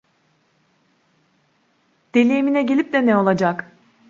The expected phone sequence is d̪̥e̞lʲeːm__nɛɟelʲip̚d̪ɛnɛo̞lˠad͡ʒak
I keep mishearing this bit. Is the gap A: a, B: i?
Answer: B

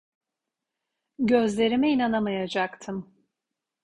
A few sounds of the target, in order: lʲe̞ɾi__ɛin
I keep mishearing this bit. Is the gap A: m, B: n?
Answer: A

